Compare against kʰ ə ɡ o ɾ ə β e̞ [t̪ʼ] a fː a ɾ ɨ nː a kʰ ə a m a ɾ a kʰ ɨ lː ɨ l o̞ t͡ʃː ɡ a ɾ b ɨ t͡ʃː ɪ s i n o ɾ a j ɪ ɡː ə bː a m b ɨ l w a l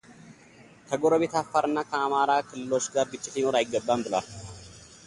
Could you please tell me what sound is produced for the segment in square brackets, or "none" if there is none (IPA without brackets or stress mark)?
t̪